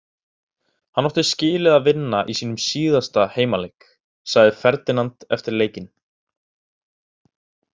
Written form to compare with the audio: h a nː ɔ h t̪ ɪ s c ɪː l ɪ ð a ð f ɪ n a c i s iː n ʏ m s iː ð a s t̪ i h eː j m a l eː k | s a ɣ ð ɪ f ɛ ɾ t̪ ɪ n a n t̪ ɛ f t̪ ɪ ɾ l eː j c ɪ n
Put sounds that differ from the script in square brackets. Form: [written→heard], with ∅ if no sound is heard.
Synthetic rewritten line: h a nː ɔ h t̪ ɪ s c ɪː l ɪ ð a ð [f→v] ɪ [n→nː] a [c→ʔ] i s iː n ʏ m s iː ð a s t̪ [i→a] h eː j m a l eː k | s a ɣ ð ɪ f ɛ ɾ t̪ ɪ n a n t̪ ɛ f t̪ ɪ ɾ l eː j c ɪ n

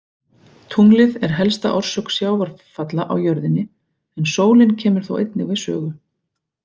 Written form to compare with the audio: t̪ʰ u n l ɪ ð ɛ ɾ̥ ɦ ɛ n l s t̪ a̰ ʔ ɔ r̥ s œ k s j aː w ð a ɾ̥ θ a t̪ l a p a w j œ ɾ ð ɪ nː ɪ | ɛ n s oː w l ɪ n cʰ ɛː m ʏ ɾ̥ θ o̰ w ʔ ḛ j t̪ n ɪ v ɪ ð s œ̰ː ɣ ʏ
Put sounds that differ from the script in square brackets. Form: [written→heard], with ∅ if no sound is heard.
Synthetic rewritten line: t̪ʰ u [n→ŋ] l ɪ ð ɛ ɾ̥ ɦ ɛ [n→∅] l s t̪ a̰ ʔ ɔ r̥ s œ k s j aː w [ð→v] a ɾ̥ [θ→f] a t̪ l a [p→ʔ] a w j œ ɾ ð ɪ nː ɪ | ɛ n s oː w l ɪ n cʰ ɛː m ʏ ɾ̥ θ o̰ w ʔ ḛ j t̪ n ɪ v ɪ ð s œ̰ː ɣ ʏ

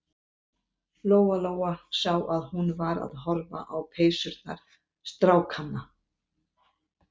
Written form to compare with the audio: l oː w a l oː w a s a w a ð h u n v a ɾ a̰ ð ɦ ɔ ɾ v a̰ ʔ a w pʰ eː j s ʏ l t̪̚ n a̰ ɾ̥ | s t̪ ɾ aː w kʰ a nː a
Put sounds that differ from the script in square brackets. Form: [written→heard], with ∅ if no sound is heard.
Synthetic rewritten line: l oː w a l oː w a s a w a ð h u n v a ɾ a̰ ð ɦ ɔ ɾ v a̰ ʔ a w pʰ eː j s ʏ [l→ɾ] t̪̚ n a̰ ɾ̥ | s t̪ ɾ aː w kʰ a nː a

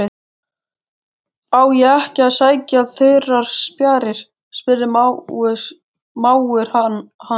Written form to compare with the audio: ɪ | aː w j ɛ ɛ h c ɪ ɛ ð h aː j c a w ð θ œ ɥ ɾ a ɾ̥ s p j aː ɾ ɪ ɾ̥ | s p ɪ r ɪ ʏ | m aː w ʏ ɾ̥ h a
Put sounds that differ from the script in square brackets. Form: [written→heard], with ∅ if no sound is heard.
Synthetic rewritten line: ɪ | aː w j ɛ ɛ h c ɪ [ɛ→a] ð [h→s] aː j c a [w→∅] ð θ œ ɥ ɾ a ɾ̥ s p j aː ɾ ɪ ɾ̥ | s p ɪ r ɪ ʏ | m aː w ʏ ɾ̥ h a

